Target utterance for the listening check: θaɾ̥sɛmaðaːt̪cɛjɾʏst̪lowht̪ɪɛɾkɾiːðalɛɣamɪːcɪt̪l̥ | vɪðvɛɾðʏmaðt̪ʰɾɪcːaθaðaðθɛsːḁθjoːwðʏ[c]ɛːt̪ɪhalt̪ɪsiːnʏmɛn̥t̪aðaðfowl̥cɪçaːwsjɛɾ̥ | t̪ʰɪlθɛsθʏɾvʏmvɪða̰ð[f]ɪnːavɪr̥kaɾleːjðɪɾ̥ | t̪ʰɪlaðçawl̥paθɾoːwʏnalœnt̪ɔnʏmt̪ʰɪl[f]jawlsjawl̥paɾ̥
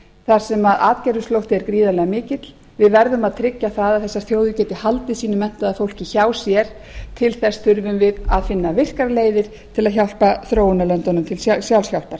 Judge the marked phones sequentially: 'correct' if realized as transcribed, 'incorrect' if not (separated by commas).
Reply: correct, correct, incorrect